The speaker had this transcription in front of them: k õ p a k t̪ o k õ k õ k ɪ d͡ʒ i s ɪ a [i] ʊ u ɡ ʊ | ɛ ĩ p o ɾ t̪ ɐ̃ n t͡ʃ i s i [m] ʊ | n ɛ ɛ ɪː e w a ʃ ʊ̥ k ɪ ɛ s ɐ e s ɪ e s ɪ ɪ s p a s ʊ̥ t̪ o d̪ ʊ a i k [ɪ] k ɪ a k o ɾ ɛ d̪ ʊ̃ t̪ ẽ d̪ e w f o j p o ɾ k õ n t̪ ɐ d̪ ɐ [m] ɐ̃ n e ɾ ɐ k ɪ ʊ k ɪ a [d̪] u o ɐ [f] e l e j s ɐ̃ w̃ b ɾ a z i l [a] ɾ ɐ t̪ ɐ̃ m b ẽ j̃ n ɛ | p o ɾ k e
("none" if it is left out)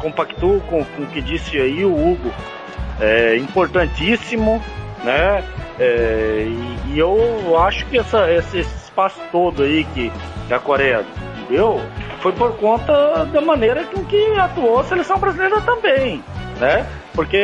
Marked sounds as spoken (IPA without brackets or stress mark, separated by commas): i, m, ɪ, m, t̪, s, e